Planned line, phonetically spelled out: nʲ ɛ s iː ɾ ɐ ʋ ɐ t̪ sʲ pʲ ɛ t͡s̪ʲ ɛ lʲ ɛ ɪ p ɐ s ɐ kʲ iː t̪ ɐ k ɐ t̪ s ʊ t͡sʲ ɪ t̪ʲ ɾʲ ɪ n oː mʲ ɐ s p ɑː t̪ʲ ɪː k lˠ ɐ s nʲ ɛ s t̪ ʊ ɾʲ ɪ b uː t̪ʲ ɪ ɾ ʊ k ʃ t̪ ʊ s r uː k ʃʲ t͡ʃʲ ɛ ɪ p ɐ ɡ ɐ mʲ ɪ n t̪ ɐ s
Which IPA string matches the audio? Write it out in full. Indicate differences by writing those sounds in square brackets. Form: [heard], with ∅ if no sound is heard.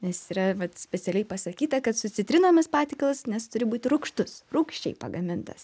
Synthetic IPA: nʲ ɛ s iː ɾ ɐ ʋ ɐ t̪ sʲ pʲ ɛ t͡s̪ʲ ɛ lʲ ɛ ɪ p ɐ s ɐ kʲ iː t̪ ɐ k ɐ t̪ s ʊ t͡sʲ ɪ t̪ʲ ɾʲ ɪ n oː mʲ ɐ s p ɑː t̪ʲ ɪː k lˠ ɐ s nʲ ɛ s t̪ ʊ ɾʲ ɪ b uː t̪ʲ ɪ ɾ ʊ k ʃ t̪ ʊ s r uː k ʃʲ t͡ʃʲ ɛ ɪ p ɐ ɡ ɐ mʲ ɪ n t̪ ɐ s